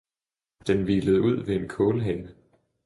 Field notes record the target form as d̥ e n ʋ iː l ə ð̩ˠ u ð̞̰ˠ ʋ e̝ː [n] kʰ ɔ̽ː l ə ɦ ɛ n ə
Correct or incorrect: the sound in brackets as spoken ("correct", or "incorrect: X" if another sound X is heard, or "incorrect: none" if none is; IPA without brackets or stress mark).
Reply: correct